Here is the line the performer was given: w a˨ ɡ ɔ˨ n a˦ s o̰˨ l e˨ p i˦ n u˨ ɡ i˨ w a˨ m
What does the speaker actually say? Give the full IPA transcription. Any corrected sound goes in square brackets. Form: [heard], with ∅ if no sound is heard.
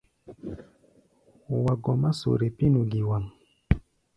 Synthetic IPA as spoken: w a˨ ɡ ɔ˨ [m] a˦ s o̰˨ [ɾ] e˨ p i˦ n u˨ ɡ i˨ w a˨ m